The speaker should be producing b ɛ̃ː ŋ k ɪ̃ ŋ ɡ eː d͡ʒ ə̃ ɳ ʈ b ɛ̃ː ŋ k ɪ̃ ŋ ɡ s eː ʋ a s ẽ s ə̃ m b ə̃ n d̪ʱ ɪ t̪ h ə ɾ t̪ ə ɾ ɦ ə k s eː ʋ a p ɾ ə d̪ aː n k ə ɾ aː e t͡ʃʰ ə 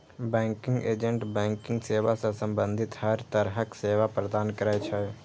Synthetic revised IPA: b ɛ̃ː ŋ k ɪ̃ ŋ ɡ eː d͡ʒ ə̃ ɳ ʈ b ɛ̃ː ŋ k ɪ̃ ŋ ɡ s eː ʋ a s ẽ s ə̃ m b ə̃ n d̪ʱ ɪ t̪ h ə ɾ t̪ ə ɾ ɦ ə k s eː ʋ a p ɾ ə d̪ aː n k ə ɾ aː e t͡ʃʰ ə